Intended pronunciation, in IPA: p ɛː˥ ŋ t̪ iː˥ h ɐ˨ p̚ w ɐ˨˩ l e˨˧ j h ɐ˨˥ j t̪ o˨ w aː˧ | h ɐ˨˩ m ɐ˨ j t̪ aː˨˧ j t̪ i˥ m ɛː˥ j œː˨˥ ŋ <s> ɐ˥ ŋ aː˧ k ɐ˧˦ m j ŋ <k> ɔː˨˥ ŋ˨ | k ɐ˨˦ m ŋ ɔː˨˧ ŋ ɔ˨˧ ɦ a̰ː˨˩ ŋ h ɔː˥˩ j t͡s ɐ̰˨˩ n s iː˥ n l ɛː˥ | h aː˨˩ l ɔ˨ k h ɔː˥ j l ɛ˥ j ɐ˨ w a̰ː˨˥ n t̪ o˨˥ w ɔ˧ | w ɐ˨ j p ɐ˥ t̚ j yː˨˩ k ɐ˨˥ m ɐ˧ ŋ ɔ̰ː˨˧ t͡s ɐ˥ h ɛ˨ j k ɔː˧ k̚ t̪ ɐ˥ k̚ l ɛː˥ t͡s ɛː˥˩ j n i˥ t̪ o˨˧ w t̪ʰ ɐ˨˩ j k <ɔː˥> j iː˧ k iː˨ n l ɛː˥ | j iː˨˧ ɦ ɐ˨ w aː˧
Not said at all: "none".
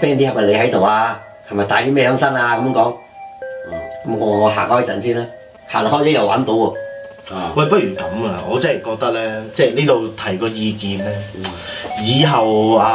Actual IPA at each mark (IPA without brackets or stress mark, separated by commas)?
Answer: s, k, ɔː˧